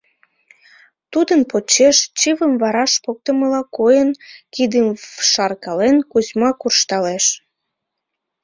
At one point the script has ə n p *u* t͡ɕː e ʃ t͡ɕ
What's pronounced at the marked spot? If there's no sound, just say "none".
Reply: o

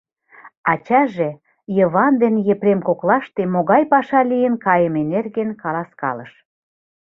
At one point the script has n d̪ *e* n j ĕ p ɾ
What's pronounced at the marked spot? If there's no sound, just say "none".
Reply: e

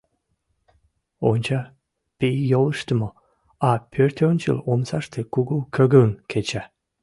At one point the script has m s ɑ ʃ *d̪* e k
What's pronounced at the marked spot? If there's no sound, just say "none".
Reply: t̪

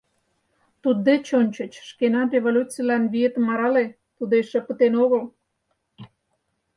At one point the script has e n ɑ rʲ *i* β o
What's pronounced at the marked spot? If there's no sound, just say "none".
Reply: e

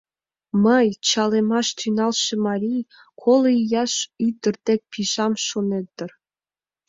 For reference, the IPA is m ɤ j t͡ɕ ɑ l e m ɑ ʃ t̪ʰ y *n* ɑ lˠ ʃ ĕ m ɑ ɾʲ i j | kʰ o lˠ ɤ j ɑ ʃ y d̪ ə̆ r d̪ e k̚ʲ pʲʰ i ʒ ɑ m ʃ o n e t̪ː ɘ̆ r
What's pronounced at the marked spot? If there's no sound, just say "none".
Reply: n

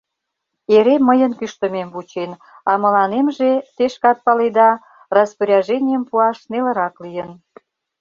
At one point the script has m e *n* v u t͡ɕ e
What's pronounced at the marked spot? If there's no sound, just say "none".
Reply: m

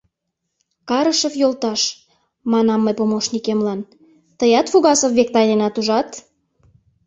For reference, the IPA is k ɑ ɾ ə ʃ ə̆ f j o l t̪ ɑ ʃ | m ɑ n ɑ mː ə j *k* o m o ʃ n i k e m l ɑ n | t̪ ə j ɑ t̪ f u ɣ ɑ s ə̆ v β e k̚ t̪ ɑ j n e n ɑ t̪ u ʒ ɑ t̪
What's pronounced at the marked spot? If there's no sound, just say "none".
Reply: p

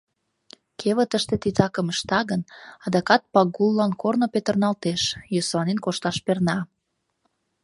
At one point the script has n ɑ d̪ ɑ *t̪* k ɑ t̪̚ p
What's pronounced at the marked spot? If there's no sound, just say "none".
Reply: none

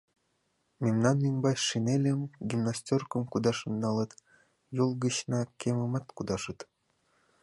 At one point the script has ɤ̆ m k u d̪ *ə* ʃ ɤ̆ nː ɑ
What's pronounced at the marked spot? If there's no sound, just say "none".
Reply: ɑ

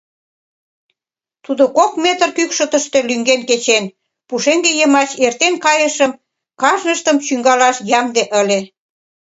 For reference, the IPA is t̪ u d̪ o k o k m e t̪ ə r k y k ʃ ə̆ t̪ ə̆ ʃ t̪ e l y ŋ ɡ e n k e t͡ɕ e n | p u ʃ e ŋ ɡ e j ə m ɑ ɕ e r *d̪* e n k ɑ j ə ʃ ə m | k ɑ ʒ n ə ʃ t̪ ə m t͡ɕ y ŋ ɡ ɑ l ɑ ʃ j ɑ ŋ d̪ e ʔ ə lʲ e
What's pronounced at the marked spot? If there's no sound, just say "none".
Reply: t̪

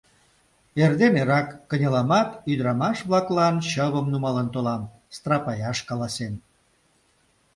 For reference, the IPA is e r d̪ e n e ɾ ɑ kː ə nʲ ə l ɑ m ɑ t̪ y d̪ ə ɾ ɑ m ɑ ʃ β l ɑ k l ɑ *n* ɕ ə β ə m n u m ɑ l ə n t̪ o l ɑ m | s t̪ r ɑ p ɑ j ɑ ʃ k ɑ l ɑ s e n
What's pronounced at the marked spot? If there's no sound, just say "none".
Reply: n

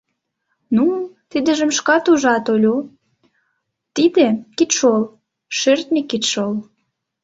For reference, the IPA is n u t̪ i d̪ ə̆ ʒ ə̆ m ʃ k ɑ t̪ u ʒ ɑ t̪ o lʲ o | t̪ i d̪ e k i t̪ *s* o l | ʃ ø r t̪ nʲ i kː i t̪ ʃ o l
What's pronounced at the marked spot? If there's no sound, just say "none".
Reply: ʃ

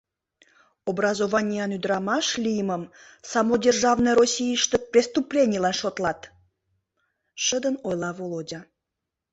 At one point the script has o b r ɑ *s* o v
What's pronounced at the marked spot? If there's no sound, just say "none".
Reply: z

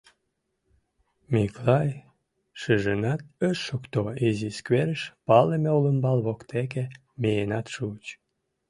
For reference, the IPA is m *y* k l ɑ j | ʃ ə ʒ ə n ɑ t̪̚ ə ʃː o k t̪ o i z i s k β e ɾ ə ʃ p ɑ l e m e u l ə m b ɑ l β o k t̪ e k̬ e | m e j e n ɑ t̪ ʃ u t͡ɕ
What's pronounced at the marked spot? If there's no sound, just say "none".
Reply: i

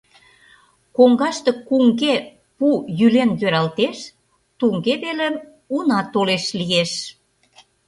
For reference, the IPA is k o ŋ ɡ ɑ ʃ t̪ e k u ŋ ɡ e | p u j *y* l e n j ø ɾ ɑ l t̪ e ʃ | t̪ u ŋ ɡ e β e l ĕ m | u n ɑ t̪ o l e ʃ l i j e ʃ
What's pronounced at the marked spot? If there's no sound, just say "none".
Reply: y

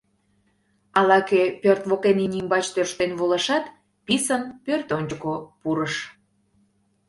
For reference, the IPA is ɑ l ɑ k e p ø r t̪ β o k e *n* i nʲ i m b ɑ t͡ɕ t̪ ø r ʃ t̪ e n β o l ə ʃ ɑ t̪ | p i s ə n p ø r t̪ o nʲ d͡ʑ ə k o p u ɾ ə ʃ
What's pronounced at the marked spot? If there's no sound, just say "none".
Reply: n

